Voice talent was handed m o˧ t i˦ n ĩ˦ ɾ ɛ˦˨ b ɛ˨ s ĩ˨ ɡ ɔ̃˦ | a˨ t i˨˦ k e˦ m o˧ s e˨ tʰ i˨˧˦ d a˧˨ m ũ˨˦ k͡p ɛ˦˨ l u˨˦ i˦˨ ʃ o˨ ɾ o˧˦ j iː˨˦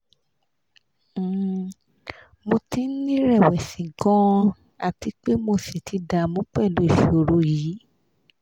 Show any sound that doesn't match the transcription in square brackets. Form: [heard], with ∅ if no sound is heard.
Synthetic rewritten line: m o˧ t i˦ n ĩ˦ ɾ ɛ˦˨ [w] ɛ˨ s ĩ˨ ɡ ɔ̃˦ | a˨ t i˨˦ [k͡p] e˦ m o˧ s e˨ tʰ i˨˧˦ d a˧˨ m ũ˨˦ k͡p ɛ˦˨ l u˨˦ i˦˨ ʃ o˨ ɾ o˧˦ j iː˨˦